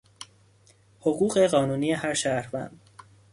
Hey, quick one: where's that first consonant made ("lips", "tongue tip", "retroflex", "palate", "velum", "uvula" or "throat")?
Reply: throat